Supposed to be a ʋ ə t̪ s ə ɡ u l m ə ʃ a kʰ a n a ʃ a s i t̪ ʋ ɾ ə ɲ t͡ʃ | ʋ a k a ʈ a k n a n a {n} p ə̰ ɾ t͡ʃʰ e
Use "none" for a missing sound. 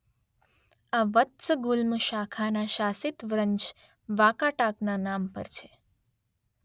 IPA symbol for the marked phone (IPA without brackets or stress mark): m